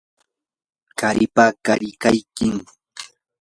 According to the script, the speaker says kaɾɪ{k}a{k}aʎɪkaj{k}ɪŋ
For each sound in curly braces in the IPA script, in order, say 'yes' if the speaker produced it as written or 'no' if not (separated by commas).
no, yes, yes